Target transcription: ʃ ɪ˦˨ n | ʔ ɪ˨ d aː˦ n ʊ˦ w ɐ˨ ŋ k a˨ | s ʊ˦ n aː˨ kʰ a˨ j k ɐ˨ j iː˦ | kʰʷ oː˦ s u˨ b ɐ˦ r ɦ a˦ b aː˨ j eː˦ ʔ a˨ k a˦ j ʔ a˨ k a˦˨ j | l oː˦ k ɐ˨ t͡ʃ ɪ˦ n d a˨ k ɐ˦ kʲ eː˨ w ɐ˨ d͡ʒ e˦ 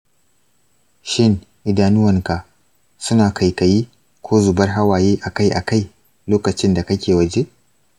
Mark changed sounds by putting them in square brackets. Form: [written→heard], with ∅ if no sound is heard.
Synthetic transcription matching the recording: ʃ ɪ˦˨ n | ʔ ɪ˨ d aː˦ n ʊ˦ w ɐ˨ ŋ k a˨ | s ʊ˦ n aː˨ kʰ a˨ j k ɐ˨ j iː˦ | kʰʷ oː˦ [s→z] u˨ b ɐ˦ r ɦ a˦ [b→w] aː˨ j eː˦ ʔ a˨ k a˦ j ʔ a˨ k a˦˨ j | l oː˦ k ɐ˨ t͡ʃ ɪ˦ n d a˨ k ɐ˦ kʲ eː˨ w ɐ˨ d͡ʒ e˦